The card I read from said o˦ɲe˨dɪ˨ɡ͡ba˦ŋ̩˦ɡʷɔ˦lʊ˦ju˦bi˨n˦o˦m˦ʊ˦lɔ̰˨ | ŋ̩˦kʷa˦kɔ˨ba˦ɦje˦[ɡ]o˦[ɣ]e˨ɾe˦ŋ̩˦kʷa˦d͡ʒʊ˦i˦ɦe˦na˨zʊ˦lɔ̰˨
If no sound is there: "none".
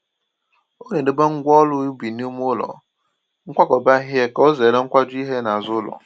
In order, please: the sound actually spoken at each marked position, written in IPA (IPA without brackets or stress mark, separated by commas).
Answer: k, z